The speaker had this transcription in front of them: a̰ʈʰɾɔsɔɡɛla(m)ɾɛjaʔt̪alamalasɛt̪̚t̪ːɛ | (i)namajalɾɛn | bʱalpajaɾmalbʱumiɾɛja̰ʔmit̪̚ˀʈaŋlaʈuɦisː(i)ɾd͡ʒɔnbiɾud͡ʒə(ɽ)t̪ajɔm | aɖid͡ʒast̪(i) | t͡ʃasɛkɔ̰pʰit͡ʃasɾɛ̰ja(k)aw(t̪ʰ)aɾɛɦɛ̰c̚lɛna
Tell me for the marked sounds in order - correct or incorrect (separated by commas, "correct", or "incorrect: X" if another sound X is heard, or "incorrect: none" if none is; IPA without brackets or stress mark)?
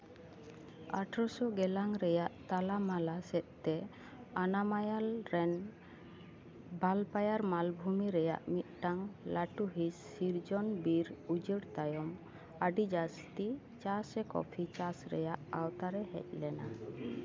incorrect: ŋ, incorrect: a, correct, correct, correct, incorrect: ʔ, incorrect: t̪